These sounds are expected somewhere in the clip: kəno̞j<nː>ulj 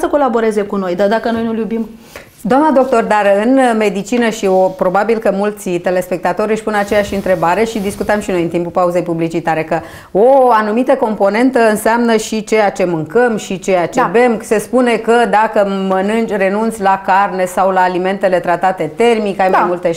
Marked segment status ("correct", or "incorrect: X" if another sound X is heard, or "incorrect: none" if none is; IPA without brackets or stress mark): incorrect: n